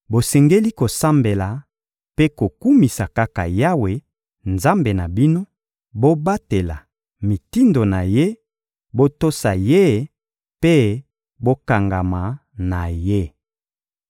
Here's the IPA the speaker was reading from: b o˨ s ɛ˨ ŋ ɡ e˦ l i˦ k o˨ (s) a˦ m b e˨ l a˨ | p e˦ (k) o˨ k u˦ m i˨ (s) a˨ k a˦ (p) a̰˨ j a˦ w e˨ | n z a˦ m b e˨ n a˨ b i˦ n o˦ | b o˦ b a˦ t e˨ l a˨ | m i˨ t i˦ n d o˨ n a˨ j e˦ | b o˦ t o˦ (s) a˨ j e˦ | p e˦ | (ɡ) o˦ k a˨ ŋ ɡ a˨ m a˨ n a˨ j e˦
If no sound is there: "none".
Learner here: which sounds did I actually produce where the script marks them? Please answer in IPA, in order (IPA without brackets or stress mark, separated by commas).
s, k, s, k, s, b